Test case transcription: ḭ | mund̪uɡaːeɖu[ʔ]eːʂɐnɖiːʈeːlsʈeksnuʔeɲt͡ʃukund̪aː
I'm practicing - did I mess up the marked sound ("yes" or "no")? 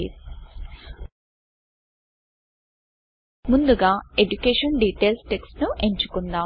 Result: yes